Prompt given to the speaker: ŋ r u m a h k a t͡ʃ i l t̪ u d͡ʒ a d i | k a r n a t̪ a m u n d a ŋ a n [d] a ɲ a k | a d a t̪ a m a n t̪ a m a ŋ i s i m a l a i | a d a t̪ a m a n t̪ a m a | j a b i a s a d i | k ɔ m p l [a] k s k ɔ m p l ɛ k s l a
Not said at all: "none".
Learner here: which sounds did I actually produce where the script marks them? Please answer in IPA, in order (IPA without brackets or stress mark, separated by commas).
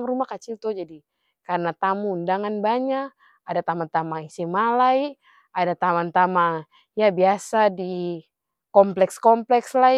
b, ɛ